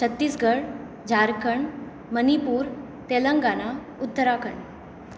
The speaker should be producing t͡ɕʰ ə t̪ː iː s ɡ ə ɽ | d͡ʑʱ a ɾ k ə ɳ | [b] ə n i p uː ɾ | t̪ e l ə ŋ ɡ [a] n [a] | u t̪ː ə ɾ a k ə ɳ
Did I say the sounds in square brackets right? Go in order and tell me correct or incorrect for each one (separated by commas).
incorrect, correct, correct